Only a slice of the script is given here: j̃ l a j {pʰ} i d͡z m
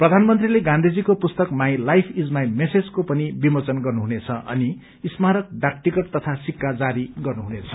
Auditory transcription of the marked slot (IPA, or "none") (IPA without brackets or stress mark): pʰ